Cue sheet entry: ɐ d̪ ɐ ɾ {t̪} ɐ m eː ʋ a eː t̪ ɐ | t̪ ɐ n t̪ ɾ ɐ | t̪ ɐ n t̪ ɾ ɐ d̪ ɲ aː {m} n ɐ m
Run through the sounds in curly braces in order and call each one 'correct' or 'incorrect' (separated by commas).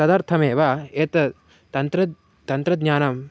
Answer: incorrect, incorrect